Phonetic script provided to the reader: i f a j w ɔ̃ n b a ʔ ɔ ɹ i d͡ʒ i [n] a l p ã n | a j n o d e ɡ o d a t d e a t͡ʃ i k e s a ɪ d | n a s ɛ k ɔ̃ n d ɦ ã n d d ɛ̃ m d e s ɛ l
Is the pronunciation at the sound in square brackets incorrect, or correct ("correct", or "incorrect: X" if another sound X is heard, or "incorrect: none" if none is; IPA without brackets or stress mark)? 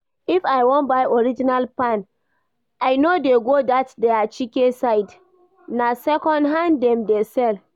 correct